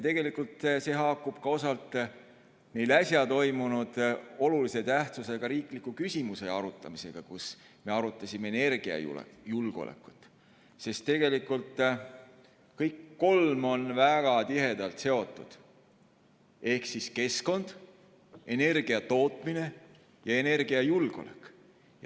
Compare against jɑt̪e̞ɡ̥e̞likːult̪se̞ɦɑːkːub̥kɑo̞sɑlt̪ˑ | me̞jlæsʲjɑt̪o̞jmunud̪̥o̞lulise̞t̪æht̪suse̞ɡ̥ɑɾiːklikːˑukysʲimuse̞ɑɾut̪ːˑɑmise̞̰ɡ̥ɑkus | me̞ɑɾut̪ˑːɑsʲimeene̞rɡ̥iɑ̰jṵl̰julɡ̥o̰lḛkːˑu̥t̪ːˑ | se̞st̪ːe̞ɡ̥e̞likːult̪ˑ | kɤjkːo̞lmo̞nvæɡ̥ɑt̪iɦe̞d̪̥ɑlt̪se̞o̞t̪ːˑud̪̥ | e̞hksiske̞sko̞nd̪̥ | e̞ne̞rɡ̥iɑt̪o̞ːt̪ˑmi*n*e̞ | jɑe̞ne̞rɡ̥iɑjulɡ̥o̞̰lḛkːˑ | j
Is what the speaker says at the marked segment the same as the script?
yes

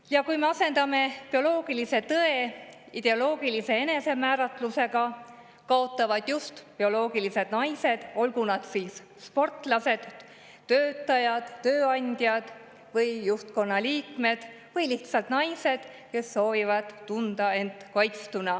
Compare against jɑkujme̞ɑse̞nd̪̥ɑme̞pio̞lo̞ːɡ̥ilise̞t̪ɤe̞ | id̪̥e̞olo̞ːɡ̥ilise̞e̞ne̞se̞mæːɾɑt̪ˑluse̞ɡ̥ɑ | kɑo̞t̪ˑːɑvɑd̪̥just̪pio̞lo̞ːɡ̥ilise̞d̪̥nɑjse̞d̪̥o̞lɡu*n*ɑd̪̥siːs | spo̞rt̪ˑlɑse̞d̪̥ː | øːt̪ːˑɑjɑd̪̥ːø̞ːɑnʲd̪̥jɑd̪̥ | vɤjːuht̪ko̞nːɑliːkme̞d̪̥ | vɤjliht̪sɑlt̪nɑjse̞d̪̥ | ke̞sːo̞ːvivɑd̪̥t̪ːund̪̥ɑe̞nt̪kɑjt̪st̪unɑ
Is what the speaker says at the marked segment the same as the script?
yes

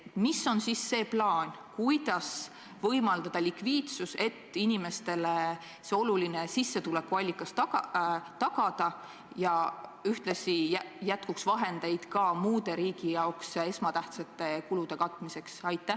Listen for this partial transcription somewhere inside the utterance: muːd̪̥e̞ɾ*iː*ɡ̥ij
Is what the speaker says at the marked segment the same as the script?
yes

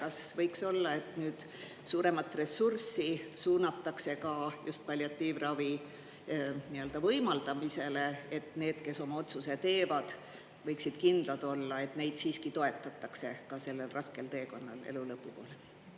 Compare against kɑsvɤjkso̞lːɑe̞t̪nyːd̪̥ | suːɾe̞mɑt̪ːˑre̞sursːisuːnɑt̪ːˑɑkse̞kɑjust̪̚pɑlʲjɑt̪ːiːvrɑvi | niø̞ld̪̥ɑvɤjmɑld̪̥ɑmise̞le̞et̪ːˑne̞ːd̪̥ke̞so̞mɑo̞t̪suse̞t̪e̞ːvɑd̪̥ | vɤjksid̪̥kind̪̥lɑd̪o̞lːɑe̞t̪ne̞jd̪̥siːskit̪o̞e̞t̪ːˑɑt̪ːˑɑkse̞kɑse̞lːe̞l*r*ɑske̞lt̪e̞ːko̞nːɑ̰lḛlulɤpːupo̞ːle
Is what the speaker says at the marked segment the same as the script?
yes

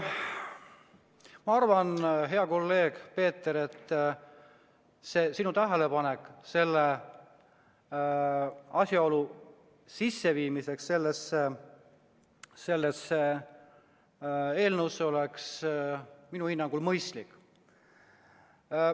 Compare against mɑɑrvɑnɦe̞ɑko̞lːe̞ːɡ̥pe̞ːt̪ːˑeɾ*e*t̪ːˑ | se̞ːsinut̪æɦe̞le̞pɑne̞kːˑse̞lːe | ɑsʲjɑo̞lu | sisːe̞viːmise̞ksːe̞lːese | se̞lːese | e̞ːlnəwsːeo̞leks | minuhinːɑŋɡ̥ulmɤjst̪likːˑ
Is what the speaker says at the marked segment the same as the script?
yes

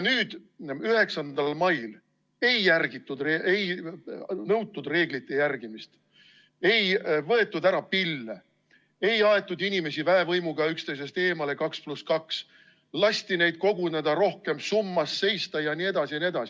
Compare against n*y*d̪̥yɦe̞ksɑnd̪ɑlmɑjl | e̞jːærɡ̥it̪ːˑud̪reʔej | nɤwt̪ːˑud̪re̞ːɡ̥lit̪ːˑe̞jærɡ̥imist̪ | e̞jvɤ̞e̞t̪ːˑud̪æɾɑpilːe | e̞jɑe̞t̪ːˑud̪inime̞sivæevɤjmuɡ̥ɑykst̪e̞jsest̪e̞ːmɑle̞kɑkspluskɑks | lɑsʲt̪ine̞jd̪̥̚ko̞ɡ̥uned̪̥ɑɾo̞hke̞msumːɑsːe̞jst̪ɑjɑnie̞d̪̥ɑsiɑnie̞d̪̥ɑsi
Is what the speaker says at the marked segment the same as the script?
no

